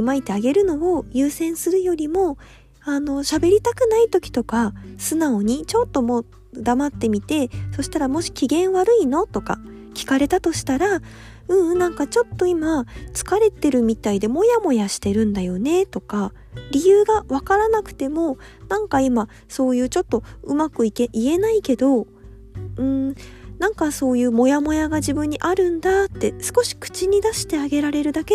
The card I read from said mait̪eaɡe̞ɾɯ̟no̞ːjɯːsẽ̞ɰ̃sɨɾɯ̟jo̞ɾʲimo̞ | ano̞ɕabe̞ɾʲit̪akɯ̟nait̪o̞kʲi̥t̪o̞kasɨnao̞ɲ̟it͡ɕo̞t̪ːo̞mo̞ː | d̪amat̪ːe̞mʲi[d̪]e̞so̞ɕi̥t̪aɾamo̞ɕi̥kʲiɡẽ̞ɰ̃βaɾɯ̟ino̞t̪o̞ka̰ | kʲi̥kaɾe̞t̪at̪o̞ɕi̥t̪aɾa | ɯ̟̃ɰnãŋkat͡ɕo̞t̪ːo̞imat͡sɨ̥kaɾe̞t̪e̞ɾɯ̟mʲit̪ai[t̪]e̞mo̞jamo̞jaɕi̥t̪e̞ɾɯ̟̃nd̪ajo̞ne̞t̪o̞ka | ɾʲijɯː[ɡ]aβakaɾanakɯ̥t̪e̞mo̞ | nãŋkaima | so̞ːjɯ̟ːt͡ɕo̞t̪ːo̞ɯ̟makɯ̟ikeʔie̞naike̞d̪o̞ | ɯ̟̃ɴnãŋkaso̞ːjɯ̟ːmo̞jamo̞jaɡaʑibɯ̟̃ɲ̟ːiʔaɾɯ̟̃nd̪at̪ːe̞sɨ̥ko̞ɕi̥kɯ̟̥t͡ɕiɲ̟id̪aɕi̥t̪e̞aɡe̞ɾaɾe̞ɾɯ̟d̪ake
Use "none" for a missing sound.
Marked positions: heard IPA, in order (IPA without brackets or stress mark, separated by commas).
t̪, d̪, ɡ